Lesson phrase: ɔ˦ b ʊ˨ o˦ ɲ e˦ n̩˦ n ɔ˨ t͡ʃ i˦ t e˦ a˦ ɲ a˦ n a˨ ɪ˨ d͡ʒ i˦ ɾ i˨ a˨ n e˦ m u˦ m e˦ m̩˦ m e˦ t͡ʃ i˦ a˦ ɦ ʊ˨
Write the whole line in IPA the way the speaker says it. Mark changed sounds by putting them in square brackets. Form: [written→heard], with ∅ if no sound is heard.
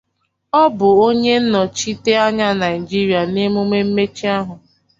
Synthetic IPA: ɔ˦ b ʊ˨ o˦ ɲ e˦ n̩˦ n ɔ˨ t͡ʃ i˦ t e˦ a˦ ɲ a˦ n a˨ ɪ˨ d͡ʒ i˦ ɾ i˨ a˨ n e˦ m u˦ m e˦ m̩˦ m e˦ t͡ʃ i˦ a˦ ɦ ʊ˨